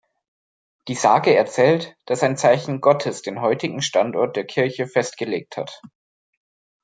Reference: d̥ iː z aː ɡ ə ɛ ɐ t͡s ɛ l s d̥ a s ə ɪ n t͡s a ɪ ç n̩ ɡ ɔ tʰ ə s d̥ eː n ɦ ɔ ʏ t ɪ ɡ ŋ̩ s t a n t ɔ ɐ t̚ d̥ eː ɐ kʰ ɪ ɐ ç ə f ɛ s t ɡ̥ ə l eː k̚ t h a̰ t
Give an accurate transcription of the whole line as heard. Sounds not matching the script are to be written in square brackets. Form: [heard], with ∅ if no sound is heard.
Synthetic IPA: d̥ iː z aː ɡ ə ɛ ɐ t͡s [ɛː] l [t] d̥ a s [a] ɪ n t͡s a ɪ ç n̩ ɡ ɔ tʰ ə s d̥ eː n ɦ ɔ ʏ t ɪ ɡ ŋ̩ [ʃ] t a n t ɔ ɐ t̚ d̥ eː ɐ kʰ ɪ ɐ ç ə f ɛ s t ɡ̥ ə l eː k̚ t h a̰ t